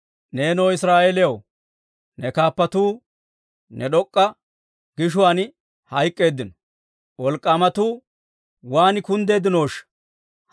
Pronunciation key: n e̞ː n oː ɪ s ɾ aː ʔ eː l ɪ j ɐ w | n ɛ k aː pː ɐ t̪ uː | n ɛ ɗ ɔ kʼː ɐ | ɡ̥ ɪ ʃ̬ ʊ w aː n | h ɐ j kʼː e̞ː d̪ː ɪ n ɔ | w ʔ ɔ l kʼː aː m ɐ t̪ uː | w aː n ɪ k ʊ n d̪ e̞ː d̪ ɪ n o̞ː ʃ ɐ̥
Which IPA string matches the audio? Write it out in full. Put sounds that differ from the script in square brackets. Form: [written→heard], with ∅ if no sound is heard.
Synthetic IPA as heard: n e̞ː n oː ɪ s ɾ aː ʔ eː l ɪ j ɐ w | n ɛ k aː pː ɐ t̪ uː | n ɛ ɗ ɔ kʼː ɐ | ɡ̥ ɪ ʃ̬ ʊ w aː n | h ɐ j kʼː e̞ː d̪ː ɪ n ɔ | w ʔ ɔ l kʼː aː m ɐ t̪ uː | w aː n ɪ k ʊ n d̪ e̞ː d̪ ɪ n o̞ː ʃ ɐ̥